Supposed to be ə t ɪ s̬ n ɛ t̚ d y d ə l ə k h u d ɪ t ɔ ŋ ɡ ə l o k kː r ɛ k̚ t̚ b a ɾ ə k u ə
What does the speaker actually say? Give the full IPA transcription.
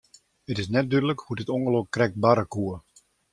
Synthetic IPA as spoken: ə t ɪ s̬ n ɛ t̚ d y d ə l ə k h u d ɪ t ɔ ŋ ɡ ə l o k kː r ɛ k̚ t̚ b a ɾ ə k u ə